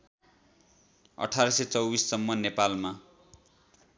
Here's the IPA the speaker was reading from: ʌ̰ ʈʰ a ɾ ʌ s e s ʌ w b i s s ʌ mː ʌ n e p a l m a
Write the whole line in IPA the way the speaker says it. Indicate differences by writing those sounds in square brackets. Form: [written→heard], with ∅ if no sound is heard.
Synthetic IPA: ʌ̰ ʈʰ a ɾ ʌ s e [s→t͡s] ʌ w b i s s ʌ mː ʌ n e p a l m a